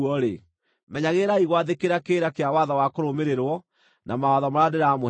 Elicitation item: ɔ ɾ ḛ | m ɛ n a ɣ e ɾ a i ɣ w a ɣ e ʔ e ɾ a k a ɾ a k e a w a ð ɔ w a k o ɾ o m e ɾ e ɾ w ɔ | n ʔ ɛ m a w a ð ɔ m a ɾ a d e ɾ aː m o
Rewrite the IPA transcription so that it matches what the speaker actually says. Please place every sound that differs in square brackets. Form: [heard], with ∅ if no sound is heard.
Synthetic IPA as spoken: ɔ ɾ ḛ | m ɛ [ɲ] a ɣ e ɾ a i ɣ w a [ð] e [k] e ɾ a k [e] ɾ a k e a w a ð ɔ w a k o ɾ o m e ɾ e ɾ w ɔ | n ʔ [a] m a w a ð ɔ m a ɾ a d e ɾ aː m o